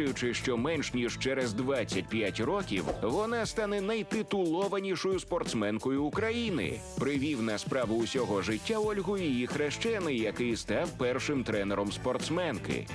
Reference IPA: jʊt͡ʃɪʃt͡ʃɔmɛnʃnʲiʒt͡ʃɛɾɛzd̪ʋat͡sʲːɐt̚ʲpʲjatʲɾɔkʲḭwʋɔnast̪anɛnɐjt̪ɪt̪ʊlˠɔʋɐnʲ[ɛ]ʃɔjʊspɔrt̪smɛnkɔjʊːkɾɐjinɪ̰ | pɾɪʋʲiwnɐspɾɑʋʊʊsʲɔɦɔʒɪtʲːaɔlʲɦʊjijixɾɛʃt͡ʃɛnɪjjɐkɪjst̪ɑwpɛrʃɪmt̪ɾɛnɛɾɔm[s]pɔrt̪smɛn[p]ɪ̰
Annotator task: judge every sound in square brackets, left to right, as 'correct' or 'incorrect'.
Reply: incorrect: i, correct, incorrect: k

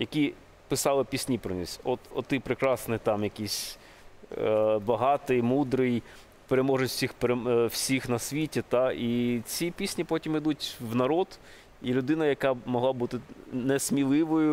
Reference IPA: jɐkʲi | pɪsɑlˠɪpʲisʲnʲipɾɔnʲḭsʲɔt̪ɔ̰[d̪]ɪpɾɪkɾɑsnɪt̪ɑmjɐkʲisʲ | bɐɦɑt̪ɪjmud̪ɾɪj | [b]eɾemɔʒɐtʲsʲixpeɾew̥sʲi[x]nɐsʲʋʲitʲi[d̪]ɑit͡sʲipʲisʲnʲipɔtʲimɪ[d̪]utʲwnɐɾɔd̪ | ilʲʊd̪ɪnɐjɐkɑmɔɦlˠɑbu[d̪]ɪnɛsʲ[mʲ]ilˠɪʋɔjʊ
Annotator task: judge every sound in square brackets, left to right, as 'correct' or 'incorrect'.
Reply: incorrect: t̪, incorrect: p, correct, incorrect: t̪, correct, incorrect: t̪, correct

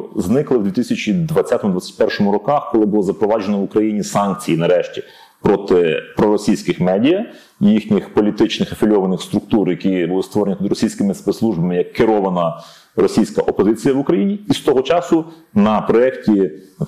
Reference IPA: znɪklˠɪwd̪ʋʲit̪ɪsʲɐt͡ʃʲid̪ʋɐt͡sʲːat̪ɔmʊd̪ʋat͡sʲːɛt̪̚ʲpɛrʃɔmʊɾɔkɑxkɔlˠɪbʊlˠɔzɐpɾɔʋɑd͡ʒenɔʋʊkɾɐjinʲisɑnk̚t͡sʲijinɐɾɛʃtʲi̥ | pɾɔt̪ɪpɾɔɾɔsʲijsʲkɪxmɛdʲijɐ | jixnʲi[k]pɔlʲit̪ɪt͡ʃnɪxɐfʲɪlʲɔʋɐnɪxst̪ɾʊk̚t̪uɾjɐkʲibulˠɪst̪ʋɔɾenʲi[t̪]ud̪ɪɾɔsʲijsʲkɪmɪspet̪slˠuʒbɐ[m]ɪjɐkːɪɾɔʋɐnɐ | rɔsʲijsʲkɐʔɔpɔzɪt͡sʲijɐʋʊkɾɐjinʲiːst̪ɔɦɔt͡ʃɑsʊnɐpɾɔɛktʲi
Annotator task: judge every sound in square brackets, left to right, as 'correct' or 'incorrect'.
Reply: incorrect: x, correct, correct

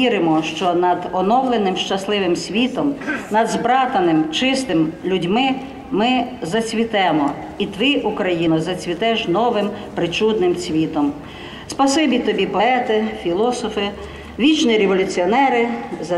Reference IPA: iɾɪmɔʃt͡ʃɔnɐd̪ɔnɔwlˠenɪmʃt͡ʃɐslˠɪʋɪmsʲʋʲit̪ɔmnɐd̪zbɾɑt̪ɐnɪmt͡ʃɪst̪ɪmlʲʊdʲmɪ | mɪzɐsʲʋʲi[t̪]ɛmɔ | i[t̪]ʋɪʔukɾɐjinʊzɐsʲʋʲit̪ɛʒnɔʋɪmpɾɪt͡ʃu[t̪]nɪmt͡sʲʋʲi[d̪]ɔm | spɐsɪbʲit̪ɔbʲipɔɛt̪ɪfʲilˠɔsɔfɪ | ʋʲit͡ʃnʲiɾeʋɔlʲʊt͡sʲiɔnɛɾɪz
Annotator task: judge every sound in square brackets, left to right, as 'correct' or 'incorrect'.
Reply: correct, correct, incorrect: d̪, incorrect: t̪

